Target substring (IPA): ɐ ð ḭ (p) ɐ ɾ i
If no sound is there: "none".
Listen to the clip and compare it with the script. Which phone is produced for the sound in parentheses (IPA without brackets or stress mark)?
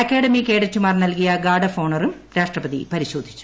p